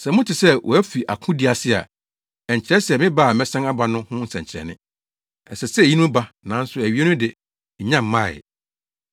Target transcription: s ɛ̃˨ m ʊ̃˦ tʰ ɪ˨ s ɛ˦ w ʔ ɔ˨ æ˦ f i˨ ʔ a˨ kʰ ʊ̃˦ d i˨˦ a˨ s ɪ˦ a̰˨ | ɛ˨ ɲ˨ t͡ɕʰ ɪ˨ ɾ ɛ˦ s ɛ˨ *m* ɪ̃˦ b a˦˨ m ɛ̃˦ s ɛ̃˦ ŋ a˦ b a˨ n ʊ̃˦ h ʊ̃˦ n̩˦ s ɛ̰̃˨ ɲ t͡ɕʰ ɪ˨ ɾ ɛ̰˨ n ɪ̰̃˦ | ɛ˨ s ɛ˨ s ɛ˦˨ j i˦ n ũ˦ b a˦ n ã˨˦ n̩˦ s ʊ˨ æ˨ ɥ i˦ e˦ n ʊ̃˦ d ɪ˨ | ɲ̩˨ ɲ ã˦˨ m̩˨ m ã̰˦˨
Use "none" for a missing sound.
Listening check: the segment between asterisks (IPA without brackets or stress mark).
m